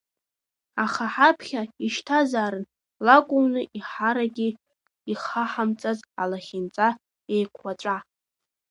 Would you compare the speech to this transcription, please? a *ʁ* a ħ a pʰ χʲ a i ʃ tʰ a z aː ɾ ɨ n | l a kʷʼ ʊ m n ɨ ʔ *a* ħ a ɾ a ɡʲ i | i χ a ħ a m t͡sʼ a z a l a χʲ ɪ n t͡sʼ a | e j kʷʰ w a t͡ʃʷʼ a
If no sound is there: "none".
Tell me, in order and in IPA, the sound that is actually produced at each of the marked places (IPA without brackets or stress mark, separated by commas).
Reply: χ, i